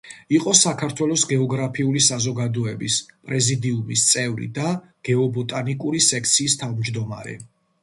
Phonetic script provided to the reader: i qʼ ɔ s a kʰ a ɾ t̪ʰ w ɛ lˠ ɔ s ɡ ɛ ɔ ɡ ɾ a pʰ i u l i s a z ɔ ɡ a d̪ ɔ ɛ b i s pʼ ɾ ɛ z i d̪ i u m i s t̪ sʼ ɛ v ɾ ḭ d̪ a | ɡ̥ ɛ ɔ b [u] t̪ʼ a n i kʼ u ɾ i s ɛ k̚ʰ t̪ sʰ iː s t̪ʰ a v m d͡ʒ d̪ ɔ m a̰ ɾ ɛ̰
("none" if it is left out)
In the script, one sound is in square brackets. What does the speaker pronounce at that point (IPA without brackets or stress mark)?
ɔ